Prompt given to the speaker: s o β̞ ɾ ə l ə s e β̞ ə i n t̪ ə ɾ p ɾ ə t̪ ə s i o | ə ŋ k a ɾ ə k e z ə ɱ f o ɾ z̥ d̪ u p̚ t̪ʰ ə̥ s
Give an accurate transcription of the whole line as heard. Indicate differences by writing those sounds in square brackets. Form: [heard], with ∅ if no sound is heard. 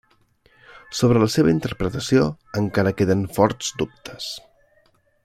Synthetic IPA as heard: s o β̞ ɾ ə l ə s e β̞ ə i n t̪ ə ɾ p ɾ ə t̪ ə s i o | ə ŋ k a ɾ ə k e [ð] ə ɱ f [ɔ] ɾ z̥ d̪ u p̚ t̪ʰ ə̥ s